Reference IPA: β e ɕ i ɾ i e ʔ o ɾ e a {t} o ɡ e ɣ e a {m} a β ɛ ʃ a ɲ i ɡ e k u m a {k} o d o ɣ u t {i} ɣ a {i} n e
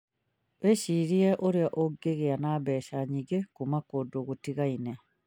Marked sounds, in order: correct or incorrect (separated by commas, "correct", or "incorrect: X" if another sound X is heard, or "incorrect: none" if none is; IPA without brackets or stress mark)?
incorrect: ʔ, incorrect: n, correct, correct, correct